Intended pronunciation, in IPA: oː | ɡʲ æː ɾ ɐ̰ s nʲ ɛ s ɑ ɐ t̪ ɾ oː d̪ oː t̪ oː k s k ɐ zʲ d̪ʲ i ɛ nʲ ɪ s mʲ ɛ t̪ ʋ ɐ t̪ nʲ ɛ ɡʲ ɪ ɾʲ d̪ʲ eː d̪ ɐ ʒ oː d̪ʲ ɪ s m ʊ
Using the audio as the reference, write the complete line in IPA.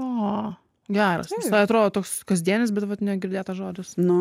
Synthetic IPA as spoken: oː | ɡʲ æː ɾ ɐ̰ s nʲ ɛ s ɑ ɐ t̪ ɾ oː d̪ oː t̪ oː k s k ɐ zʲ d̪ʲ i ɛ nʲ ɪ s bʲ ɛ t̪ ʋ ɐ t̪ nʲ ɛ ɡʲ ɪ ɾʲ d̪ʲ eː t̪ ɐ ʒ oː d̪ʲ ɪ s n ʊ